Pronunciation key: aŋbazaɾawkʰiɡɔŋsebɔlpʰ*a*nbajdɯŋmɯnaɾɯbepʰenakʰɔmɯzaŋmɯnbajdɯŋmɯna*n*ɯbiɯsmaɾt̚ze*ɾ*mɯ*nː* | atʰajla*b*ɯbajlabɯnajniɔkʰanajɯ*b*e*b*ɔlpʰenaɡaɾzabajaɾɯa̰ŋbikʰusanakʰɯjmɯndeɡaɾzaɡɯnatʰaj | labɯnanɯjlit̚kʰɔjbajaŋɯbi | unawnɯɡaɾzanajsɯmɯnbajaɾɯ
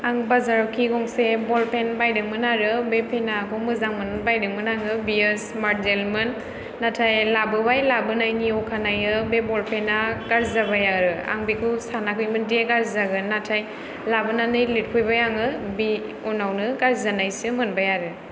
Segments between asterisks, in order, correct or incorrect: incorrect, incorrect, incorrect, correct, correct, correct, correct

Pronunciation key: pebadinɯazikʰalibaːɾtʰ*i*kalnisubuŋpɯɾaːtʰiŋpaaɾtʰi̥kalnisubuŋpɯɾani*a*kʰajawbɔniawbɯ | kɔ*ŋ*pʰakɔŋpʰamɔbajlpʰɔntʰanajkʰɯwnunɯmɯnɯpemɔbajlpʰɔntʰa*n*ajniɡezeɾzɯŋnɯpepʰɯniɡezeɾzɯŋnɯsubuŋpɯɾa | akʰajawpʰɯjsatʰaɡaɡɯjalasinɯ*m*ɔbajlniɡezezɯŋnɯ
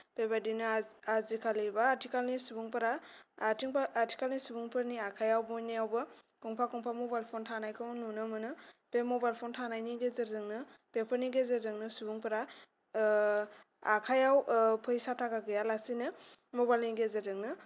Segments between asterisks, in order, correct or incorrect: correct, correct, correct, correct, correct

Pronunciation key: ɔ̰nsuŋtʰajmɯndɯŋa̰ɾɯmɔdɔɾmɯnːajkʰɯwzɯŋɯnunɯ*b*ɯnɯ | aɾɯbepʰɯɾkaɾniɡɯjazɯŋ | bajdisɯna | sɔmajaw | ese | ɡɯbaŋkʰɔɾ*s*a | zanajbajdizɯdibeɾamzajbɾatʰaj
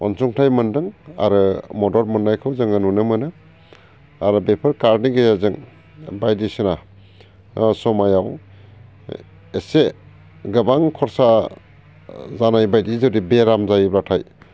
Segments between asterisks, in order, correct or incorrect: incorrect, correct

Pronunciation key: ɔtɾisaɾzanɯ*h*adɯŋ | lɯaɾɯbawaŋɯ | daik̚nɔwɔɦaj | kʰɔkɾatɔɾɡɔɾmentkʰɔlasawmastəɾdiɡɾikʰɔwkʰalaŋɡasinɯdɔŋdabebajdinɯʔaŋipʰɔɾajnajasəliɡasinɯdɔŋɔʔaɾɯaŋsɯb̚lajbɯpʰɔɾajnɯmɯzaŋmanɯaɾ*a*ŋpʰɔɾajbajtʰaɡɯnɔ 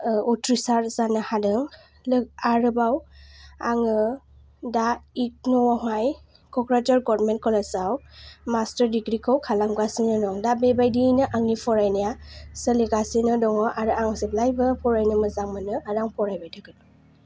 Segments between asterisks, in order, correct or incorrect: correct, correct

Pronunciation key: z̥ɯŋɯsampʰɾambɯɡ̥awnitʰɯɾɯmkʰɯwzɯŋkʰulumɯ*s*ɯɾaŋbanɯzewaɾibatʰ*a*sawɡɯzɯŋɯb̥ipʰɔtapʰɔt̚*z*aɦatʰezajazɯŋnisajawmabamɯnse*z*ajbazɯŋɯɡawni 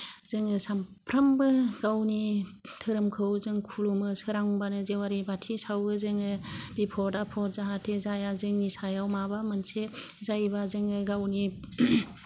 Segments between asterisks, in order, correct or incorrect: correct, incorrect, correct, correct

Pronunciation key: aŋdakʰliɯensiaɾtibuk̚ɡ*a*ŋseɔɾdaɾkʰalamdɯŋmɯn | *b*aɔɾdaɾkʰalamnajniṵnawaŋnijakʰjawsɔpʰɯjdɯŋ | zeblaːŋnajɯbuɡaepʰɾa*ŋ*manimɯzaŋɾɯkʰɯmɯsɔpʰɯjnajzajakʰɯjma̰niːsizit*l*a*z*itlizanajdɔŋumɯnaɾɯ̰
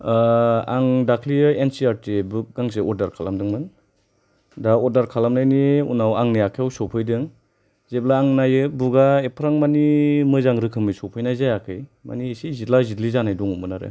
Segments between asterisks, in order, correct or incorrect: correct, incorrect, correct, correct, correct

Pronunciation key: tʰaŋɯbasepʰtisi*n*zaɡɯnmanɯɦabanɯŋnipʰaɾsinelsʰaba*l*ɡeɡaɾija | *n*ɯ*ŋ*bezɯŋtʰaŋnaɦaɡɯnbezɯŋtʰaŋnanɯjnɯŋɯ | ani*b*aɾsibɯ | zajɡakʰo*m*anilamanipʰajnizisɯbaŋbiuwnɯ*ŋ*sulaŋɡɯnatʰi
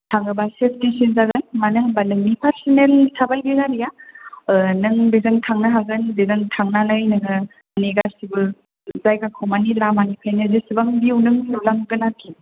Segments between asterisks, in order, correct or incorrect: correct, correct, correct, correct, incorrect, correct, correct

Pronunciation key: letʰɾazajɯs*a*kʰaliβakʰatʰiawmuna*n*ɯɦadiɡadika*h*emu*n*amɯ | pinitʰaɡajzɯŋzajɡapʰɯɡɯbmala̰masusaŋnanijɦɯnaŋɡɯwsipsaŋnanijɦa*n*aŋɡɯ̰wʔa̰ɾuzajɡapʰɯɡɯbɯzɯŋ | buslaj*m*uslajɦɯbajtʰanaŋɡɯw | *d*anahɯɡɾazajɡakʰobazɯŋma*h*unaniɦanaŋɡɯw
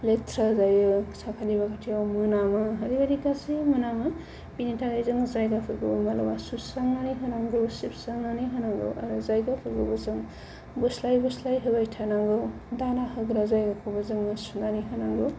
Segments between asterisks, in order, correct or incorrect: correct, incorrect, incorrect, correct, correct, incorrect, correct, incorrect

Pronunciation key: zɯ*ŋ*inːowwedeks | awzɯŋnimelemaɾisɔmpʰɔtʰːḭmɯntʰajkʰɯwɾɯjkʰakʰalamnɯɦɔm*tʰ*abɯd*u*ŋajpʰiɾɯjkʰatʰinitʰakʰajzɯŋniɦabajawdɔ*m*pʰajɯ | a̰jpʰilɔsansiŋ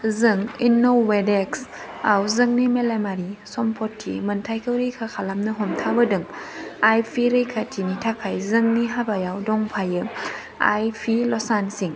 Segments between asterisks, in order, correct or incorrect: correct, correct, incorrect, incorrect

